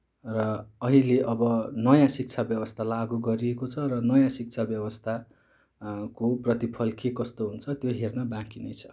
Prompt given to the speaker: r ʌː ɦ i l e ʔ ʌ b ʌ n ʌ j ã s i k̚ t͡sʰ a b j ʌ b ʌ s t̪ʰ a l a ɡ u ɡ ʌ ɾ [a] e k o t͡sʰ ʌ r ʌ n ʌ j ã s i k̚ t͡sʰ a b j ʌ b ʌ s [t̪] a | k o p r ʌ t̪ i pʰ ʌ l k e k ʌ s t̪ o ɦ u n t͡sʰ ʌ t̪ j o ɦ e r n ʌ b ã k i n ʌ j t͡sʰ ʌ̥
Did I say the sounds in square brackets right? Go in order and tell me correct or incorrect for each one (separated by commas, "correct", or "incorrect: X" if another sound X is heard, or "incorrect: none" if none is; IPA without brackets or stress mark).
incorrect: i, incorrect: t̪ʰ